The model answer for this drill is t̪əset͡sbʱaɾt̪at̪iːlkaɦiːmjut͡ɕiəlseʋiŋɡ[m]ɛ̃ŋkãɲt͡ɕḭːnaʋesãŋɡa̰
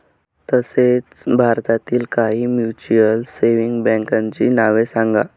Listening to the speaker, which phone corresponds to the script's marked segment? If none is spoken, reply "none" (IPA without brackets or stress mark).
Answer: b